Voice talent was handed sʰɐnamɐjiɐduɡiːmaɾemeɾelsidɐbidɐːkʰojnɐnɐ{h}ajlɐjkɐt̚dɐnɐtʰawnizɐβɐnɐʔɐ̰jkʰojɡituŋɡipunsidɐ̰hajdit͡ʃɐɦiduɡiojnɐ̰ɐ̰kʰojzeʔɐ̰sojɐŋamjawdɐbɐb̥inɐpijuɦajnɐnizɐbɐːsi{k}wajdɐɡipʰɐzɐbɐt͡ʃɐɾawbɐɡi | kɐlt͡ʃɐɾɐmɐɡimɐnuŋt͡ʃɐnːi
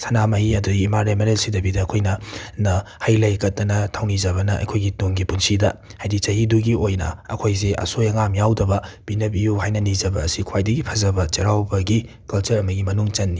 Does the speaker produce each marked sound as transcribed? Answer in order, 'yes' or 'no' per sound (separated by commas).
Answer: yes, no